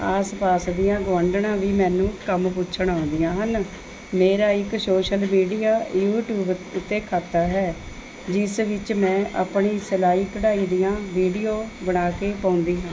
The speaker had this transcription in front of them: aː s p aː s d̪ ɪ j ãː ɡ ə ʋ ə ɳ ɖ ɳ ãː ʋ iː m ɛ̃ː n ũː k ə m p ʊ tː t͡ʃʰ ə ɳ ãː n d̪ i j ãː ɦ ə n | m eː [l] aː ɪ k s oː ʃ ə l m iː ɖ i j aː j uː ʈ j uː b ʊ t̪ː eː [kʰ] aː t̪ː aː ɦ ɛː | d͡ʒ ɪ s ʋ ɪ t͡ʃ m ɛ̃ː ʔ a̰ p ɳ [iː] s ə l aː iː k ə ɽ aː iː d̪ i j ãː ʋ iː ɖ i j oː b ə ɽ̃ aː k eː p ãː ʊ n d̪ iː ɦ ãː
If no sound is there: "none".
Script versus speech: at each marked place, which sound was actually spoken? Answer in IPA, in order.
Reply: ɾ, kʰ, iː

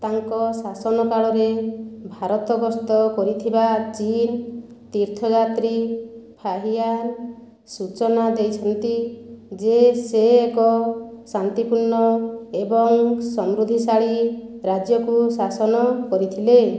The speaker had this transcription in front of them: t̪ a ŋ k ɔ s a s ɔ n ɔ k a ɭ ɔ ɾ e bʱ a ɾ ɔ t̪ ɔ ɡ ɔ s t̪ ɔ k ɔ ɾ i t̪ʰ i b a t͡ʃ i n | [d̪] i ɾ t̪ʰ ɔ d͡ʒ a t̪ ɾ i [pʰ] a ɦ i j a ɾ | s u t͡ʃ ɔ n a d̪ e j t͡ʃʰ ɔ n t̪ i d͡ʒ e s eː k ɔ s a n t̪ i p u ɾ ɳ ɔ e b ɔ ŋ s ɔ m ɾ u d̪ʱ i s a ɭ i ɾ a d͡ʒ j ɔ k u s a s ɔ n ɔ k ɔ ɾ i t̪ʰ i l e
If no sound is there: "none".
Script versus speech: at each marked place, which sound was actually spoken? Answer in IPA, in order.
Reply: t̪, pʰ

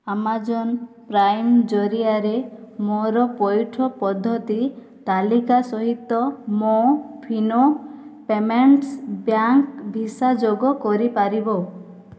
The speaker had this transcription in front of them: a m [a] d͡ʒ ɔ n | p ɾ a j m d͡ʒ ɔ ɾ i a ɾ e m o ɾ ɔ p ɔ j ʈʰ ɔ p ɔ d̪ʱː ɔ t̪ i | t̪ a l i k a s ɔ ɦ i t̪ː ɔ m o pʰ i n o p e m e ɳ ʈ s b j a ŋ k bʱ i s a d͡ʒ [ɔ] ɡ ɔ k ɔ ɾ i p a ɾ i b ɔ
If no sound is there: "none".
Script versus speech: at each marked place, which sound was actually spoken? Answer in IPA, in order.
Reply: a, o

